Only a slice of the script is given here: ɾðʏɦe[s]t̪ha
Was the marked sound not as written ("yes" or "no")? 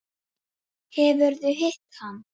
yes